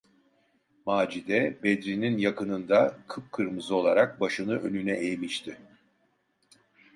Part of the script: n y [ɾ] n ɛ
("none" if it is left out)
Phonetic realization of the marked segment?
none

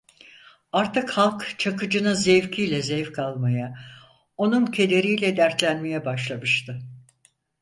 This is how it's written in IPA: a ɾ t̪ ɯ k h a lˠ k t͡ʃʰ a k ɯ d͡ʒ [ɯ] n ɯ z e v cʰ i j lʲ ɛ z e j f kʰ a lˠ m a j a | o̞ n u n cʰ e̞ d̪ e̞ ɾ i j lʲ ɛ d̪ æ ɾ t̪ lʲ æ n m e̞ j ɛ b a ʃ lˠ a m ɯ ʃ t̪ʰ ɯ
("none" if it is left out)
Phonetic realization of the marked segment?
ɯ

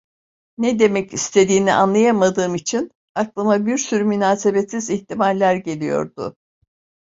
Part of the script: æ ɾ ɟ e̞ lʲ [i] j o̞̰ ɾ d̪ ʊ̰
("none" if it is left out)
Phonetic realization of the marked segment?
i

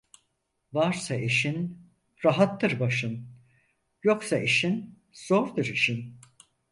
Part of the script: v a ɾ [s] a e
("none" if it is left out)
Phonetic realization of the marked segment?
s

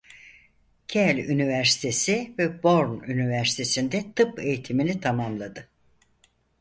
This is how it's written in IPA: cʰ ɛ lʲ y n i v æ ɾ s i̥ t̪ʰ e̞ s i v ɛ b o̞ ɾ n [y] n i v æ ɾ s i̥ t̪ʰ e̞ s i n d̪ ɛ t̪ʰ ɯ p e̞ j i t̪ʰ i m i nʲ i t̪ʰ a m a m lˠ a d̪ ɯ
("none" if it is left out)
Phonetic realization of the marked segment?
y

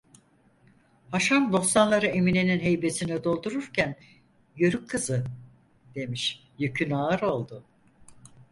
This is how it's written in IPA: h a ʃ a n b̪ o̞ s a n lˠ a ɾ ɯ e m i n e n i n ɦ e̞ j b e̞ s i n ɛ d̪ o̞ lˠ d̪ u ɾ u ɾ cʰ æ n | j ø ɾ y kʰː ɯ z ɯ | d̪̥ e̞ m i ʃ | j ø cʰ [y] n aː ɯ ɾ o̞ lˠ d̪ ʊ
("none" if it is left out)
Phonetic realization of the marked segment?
y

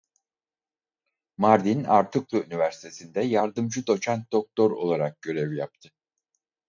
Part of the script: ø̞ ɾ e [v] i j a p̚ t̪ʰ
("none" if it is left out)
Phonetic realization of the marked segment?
v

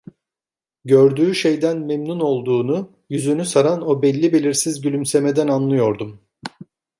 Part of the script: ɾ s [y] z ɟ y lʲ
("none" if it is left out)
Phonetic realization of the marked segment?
i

